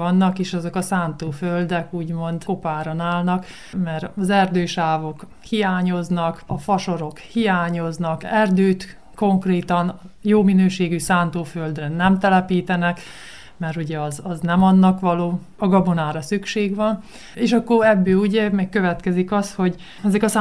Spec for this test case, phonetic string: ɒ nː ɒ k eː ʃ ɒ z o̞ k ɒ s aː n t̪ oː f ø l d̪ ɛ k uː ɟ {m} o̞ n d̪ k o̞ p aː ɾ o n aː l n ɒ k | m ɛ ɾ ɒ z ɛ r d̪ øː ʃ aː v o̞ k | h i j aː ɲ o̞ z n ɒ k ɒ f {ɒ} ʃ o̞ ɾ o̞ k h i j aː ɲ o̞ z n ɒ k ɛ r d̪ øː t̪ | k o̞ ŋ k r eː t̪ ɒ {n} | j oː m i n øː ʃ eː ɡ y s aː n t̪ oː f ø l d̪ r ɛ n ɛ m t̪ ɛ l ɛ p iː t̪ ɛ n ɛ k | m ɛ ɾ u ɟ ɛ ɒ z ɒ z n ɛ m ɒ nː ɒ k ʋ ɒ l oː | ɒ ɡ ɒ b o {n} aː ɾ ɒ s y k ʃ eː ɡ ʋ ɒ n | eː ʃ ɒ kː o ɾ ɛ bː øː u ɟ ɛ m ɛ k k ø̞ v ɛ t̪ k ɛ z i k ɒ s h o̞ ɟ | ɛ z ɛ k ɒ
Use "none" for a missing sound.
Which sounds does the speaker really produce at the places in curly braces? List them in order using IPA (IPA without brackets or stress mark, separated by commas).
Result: m, ɒ, n, n